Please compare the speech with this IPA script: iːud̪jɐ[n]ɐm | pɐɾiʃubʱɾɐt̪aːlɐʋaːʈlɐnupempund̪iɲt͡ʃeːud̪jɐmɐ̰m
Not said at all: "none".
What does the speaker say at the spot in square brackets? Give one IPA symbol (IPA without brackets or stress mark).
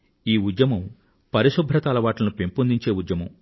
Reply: m